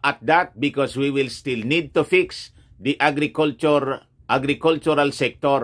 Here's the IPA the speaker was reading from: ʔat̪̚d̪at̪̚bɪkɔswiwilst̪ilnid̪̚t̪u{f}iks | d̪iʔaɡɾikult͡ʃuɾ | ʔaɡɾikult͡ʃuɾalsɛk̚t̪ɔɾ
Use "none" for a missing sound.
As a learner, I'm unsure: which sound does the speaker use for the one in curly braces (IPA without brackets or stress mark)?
f